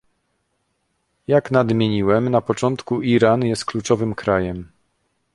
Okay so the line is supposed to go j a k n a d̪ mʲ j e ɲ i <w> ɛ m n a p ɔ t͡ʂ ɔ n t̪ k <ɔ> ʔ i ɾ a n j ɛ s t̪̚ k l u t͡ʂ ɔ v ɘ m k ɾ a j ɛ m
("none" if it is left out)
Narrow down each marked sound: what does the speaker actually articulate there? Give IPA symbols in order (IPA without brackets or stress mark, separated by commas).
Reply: w, u